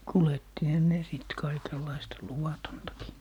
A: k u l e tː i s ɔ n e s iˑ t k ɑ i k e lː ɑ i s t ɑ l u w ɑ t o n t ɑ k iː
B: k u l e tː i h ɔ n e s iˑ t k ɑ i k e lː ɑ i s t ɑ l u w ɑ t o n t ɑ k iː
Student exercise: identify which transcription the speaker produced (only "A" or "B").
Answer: B